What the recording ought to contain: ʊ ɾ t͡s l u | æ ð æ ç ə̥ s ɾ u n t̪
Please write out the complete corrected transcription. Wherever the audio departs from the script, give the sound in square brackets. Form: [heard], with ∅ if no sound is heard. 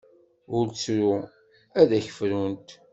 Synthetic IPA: ʊ ɾ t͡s [ɾ] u | æ ð æ ç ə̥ [f] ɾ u n t̪